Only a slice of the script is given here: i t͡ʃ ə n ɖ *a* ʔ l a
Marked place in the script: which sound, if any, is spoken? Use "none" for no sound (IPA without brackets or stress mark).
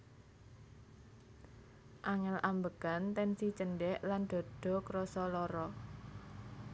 ɛ